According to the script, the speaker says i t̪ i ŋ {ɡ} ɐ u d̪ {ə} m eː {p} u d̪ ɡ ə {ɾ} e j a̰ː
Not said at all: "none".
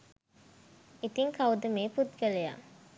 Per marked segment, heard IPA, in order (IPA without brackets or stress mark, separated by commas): k, ə, p, l